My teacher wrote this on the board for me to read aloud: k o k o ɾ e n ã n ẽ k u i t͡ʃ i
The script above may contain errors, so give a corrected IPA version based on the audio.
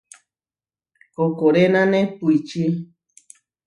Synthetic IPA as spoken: k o k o ɾ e n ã n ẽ p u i t͡ʃ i